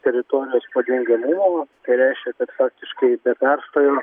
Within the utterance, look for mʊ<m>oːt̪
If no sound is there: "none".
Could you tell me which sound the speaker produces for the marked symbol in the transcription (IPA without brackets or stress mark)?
m